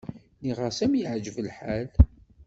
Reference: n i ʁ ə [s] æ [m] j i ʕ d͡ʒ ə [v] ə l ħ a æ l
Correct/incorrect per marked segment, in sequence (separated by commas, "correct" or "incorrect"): correct, correct, correct